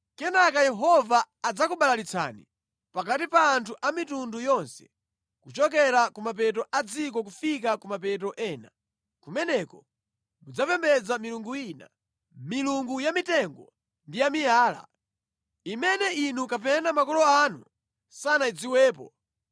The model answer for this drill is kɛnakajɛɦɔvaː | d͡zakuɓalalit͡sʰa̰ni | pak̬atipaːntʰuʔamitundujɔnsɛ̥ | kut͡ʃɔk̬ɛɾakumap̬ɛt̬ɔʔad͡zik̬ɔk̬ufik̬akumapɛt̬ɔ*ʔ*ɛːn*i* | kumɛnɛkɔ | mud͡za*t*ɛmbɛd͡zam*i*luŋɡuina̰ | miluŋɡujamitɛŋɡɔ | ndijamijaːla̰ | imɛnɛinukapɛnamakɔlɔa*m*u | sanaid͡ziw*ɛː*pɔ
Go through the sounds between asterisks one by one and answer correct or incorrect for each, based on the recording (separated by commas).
correct, incorrect, incorrect, correct, incorrect, correct